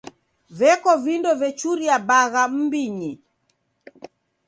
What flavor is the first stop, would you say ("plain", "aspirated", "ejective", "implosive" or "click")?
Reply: plain